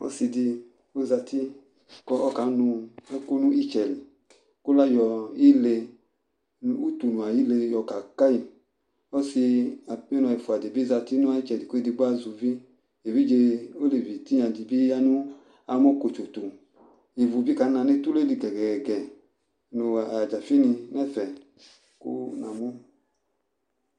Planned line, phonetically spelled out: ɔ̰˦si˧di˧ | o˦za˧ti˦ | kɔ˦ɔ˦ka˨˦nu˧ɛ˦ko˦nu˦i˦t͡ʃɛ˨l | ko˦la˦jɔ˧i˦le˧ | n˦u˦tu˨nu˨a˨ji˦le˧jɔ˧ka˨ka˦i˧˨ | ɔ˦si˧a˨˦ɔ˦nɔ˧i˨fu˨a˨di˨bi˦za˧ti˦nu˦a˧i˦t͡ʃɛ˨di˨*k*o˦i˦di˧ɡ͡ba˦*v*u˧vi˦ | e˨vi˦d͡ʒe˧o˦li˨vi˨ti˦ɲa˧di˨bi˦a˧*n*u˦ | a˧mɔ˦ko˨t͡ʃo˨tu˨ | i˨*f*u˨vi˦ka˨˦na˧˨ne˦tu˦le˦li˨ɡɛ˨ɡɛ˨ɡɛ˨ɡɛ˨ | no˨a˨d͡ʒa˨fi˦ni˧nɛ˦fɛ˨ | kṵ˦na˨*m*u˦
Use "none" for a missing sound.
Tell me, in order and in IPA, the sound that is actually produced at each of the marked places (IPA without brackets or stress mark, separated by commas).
k, z, n, v, m